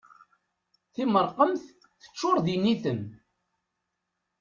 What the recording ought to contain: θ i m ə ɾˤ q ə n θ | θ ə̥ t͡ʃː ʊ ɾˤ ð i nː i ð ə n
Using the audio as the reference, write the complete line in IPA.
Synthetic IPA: θ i m ə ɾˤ q ə m θ | θ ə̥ t͡ʃː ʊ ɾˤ ð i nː i θ ə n